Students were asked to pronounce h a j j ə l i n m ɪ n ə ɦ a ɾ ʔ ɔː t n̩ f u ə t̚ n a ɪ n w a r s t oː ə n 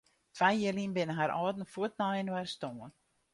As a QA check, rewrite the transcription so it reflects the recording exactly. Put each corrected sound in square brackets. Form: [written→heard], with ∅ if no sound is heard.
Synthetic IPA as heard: [h→f] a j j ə l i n [m→b] ɪ n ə ɦ a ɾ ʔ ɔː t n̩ f u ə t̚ n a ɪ n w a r s t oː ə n

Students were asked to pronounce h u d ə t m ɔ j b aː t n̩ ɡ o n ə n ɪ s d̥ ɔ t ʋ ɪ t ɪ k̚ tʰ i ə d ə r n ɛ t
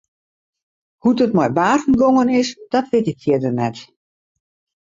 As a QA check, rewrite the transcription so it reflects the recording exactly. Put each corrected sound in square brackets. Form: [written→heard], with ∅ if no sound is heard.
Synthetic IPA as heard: h u d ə t m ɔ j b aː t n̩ ɡ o [n→ŋ] ə n ɪ s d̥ ɔ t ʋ ɪ t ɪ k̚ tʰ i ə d ə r n ɛ t

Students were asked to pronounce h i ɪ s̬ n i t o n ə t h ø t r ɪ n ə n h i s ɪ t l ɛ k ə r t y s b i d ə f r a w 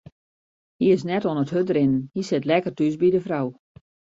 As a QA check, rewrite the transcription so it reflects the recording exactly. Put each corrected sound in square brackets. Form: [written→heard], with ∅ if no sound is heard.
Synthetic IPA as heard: h i ɪ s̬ n [i→ɛ] t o n ə t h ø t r ɪ n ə n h i s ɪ t l ɛ k ə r t y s b i d ə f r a w

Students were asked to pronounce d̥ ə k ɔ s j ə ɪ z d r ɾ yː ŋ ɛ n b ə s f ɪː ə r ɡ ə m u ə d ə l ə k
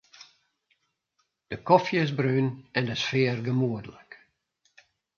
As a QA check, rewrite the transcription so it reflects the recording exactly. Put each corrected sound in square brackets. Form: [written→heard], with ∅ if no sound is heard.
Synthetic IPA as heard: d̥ ə k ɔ [s→f] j ə ɪ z [d→b] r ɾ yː [ŋ→n] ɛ n [b→d] ə s f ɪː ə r ɡ ə m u ə d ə l ə k

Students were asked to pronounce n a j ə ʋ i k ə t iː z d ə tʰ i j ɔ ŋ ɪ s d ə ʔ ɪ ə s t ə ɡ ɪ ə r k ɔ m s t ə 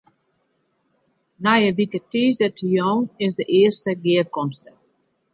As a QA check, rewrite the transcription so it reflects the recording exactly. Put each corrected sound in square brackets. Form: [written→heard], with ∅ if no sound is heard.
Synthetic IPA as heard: n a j ə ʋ i k ə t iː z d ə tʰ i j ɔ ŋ ɪ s d ə ʔ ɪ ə s t ə ɡ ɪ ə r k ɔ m s t ə

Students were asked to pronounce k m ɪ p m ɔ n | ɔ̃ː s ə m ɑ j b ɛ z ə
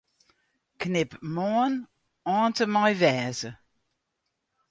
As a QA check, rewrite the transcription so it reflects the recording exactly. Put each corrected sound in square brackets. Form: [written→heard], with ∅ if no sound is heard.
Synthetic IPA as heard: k [m→n] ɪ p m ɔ n | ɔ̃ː [s→t] ə m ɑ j [b→v] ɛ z ə

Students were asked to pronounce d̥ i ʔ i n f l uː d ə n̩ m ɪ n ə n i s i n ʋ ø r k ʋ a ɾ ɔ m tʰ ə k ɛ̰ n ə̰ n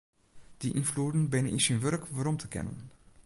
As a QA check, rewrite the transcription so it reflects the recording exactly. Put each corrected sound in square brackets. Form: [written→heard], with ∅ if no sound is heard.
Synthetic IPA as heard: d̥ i ʔ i n f l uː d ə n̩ [m→b] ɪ n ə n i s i n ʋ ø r k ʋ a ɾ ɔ m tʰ ə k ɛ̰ n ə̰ n

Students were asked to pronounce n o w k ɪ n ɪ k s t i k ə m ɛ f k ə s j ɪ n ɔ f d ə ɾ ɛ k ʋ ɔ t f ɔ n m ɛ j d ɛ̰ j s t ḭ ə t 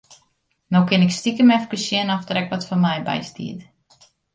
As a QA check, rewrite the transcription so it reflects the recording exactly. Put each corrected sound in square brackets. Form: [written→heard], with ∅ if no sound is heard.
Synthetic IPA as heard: n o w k ɪ n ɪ k s t i k ə m ɛ f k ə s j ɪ n ɔ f d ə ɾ ɛ k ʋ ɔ t f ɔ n m ɛ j [d→b] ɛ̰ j s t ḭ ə t

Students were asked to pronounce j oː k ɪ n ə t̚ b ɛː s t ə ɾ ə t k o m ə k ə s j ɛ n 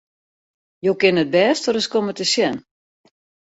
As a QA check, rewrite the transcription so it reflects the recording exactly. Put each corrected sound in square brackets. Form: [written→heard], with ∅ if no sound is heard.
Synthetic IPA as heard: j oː k ɪ n ə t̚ b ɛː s t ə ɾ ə [t→s] k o m ə [k→t] ə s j ɛ n

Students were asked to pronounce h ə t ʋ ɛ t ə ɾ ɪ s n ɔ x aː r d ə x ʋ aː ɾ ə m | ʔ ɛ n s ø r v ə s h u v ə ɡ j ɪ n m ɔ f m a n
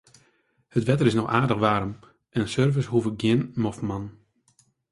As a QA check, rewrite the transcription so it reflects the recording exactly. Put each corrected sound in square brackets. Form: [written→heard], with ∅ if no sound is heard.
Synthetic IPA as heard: h ə t ʋ ɛ t ə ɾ ɪ s n ɔ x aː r d ə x ʋ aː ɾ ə m | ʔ ɛ n s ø r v ə s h u v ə ɡ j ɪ n m ɔ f m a n

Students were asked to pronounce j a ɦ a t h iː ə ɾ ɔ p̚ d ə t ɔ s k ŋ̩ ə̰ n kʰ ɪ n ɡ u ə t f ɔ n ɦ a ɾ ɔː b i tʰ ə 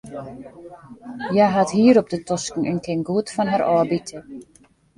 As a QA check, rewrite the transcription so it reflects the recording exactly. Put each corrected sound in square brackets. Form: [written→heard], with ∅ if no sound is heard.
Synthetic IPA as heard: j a ɦ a t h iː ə ɾ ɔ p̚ d ə t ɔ s k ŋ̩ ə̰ n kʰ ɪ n ɡ u ə t f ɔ n ɦ a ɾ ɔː b i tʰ ə

